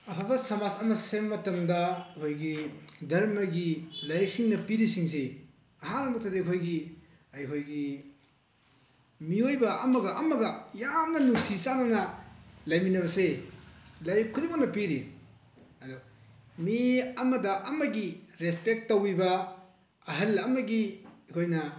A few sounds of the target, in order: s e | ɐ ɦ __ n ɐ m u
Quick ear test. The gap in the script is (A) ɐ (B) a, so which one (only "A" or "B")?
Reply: B